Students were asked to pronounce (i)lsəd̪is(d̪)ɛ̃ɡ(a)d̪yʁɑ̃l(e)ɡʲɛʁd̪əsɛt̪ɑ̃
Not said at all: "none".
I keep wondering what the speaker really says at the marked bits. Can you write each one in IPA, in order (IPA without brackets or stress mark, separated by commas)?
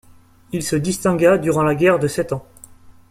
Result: i, t̪, a, a